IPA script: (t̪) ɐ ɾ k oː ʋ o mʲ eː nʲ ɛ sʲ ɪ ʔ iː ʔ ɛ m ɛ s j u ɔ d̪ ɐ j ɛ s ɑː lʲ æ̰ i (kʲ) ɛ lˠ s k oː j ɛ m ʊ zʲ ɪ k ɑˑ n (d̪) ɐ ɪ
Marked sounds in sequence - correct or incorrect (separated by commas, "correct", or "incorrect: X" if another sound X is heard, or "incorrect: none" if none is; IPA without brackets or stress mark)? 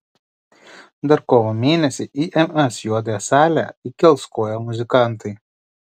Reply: incorrect: d̪, correct, incorrect: t̪